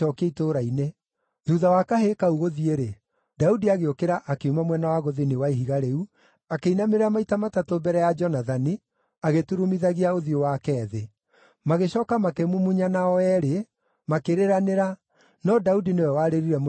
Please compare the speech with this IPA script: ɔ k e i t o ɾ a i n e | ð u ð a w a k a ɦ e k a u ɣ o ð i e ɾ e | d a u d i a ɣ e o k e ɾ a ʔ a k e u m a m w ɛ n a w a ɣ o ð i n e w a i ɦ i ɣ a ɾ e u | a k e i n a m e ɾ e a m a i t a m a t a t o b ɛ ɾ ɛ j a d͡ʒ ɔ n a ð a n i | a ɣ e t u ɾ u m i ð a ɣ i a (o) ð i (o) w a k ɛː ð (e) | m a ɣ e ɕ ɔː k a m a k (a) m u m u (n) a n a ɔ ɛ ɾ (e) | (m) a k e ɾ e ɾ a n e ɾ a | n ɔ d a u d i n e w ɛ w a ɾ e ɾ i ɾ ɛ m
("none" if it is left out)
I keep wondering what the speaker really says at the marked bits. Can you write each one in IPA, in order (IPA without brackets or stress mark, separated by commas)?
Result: o, o, e, e, ɲ, e, m